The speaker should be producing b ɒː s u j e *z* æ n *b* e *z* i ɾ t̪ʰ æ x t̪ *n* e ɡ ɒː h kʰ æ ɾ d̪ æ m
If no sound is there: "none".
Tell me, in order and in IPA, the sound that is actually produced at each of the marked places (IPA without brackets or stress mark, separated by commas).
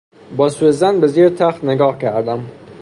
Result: z, b, z, n